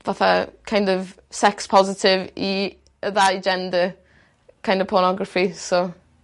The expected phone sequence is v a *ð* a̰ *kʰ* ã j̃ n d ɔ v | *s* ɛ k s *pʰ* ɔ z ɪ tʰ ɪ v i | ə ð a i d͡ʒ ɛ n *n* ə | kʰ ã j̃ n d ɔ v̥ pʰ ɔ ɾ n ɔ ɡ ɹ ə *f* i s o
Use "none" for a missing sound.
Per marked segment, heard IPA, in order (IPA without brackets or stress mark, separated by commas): θ, kʰ, s, pʰ, d, f